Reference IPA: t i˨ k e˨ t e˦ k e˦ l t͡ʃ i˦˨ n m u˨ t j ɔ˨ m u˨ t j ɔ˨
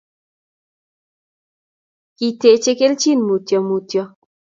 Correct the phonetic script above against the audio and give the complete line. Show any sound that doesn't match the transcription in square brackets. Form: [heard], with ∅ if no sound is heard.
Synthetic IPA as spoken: [k] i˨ [t] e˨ [t͡ʃ] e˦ k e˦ l t͡ʃ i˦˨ n m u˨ t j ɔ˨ m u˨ t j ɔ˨